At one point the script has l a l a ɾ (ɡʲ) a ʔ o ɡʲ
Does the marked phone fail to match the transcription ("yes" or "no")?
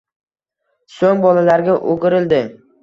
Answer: no